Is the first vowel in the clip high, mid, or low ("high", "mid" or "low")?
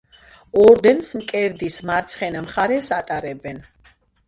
mid